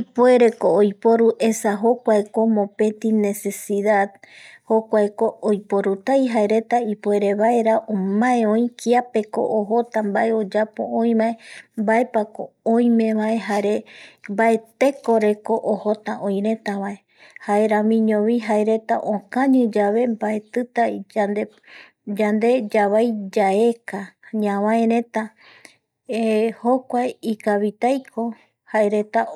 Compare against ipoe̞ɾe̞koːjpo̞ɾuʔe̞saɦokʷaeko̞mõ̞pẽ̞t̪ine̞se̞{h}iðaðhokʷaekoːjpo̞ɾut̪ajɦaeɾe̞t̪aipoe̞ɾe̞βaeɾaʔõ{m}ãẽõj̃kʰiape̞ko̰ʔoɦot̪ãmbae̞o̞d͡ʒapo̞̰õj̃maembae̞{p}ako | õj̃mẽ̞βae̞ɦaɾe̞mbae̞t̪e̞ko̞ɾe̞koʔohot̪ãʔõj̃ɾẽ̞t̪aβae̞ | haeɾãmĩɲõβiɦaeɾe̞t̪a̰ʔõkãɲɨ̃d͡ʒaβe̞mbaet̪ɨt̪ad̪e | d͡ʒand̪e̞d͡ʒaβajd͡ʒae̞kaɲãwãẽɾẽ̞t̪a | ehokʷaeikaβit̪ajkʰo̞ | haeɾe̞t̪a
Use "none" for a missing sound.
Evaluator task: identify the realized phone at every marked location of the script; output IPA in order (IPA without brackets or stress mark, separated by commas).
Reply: s, m, p